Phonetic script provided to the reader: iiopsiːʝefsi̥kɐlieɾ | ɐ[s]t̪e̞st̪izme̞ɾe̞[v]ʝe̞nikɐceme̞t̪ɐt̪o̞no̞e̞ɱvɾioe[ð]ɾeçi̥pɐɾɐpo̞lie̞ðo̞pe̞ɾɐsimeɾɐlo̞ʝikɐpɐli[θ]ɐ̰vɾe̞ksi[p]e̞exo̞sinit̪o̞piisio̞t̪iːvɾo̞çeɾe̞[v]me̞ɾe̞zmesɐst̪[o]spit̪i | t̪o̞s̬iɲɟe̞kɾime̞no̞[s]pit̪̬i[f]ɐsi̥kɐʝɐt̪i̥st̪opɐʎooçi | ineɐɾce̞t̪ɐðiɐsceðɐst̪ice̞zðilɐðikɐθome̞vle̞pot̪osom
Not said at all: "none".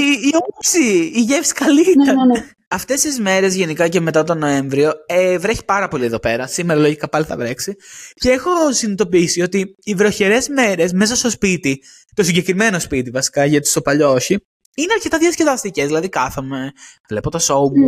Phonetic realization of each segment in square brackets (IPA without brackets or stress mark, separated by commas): f, z, v, θ, c, z, o, s, v